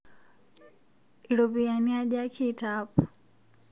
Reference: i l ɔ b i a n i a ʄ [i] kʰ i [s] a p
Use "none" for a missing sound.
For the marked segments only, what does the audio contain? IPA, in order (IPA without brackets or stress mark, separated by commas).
a, t